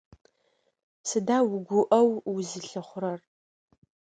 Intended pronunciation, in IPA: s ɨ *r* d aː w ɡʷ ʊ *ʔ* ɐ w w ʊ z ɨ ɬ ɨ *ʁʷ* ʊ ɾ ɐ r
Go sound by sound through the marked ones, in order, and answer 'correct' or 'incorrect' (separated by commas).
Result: incorrect, correct, incorrect